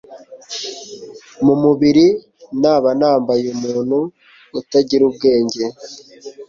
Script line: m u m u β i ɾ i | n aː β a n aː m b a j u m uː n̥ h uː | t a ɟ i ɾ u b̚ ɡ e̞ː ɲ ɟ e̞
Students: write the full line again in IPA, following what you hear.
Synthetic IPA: m u m u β i ɾ i | n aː β a n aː m b a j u m uː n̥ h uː | t a ɟ i ɾ u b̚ ɡ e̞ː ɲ ɟ e̞

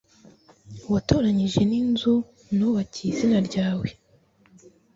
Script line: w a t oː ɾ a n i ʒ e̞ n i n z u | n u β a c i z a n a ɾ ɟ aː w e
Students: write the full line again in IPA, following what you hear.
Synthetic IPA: w a t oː ɾ a ɲ i ʒ e̞ n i n z u | n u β a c i z i n a ɾ ɟ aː w e

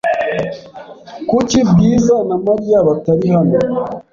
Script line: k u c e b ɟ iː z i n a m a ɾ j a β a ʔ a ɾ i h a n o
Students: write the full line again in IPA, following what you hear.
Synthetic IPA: k u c i b ɡ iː z a n a m a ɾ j a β a t a ɾ i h a n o

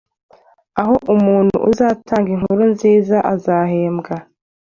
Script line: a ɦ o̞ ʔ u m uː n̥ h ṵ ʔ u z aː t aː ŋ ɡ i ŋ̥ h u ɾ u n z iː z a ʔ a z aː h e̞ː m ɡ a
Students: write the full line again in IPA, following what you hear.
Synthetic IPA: a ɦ o̞ ʔ u m uː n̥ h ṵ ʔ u z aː t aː ŋ ɡ i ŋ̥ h u ɾ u n z iː z a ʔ a z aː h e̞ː m ɡ a

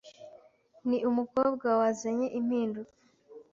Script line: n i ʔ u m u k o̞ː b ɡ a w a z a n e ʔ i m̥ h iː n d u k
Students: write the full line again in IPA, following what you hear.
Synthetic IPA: n i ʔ u m u k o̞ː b ɡ a w a z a ɲ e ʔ i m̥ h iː n d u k

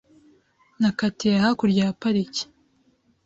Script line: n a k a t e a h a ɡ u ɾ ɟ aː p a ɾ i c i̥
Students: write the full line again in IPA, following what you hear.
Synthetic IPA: n a k a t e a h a k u ɾ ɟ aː p a ɾ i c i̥

